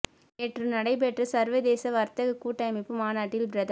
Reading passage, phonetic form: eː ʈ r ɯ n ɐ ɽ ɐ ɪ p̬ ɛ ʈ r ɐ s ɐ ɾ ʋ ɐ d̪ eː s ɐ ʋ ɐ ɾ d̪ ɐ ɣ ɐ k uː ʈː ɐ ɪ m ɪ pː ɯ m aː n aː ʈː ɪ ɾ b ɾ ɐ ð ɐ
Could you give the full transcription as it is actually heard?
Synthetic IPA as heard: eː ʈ r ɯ n ɐ ɽ ɐ ɪ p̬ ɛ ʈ r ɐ s ɐ ɾ ʋ ɐ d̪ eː s ɐ ʋ ɐ ɾ t̪ ɐ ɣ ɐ k uː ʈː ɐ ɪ m ɪ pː ɯ m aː n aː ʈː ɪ l b ɾ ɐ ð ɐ